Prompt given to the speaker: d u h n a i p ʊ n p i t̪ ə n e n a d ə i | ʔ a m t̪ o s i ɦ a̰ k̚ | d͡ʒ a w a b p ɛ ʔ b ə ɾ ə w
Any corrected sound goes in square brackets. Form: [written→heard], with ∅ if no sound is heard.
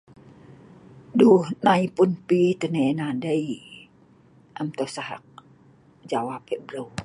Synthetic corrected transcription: d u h n a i p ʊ n p i t̪ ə n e n a d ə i | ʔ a m t̪ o s [i→a] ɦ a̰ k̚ | d͡ʒ a w a [b→∅] p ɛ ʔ b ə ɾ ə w